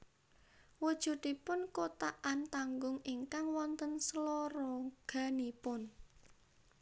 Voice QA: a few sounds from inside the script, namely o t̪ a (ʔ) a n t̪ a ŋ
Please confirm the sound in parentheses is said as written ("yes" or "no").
yes